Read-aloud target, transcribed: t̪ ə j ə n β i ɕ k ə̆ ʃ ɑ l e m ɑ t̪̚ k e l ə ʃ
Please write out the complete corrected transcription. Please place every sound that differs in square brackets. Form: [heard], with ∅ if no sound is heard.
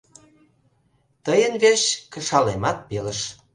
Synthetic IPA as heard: t̪ ə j ə n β [e] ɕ k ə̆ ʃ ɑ l e m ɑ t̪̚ [p] e l ə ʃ